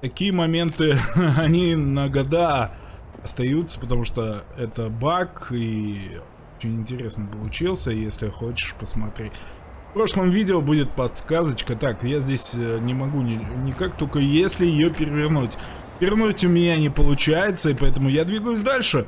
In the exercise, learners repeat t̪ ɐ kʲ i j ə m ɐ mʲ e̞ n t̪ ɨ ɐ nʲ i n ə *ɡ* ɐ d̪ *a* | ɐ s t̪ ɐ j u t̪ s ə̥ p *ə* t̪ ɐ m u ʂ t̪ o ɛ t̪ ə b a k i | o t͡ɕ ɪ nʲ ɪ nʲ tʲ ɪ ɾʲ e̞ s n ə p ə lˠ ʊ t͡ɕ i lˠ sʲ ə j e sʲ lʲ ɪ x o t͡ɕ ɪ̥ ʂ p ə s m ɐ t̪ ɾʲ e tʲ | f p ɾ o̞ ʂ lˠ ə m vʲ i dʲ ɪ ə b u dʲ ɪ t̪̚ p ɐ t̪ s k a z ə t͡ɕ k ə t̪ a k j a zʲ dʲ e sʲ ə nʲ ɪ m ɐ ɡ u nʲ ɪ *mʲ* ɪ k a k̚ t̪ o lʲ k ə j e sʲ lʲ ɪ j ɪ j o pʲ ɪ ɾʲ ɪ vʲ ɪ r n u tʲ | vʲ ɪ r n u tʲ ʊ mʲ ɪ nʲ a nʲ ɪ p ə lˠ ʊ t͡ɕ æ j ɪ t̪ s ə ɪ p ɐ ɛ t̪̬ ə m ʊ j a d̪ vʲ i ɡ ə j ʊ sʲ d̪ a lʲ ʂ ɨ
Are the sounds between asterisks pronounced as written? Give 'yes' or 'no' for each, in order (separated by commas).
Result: yes, yes, yes, no